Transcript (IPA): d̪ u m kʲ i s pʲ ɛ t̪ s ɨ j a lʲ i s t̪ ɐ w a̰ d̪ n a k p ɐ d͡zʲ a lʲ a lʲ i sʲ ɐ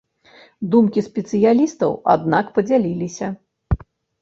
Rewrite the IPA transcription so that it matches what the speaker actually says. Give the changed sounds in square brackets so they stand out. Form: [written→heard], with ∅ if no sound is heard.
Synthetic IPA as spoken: d̪ u m kʲ i s pʲ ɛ t̪ s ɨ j a lʲ i s t̪ ɐ w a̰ d̪ n a k p ɐ d͡zʲ a lʲ [a→i] lʲ i sʲ ɐ